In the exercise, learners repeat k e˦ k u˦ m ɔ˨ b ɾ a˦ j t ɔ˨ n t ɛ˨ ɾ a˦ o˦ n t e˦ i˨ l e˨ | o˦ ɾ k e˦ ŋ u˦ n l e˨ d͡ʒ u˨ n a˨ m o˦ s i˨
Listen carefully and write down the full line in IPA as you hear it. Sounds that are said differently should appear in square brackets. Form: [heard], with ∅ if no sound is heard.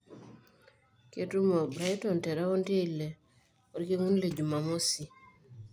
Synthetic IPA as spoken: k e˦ [t] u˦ m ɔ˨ b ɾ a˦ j t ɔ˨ n t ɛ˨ ɾ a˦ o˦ n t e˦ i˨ l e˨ | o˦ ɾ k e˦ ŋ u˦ n l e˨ d͡ʒ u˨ [m] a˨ m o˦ s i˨